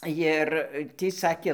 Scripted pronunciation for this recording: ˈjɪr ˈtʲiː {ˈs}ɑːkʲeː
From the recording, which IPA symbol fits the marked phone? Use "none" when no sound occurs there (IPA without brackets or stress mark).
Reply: s